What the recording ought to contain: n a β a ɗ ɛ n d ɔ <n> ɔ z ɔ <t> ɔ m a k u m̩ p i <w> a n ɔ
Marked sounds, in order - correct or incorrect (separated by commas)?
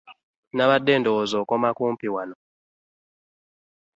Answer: incorrect, incorrect, correct